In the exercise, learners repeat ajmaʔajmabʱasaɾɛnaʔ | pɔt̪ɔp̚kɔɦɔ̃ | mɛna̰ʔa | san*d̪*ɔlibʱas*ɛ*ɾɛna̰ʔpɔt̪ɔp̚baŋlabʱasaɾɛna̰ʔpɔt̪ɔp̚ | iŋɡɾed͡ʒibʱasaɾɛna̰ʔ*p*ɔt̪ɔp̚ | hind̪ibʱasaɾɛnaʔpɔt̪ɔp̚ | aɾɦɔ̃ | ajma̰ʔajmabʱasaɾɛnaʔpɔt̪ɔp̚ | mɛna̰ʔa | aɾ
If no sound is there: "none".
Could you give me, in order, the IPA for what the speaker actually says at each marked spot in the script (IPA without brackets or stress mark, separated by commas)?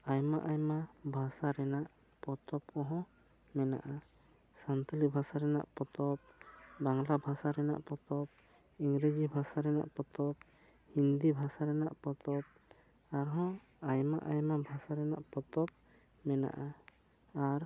t̪, a, p